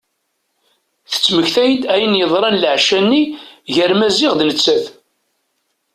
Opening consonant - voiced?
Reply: no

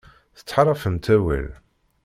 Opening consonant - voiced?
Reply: no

